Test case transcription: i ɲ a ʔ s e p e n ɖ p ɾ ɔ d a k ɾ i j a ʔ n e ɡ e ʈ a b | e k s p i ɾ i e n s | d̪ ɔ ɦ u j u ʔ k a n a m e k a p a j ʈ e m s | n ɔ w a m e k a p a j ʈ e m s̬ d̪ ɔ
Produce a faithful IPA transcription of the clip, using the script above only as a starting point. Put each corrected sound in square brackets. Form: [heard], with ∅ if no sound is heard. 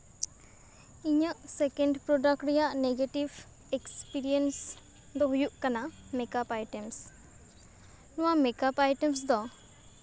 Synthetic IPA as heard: i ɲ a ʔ s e [k] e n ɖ p ɾ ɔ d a k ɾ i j a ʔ n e ɡ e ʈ [i] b | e k s p i ɾ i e n s | d̪ ɔ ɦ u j u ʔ k a n a m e k a p a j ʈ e m s | n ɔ w a m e k a p a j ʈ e m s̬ d̪ ɔ